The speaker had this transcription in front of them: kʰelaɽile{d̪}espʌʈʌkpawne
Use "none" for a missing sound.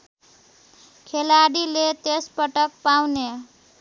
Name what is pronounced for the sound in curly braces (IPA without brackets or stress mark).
t̪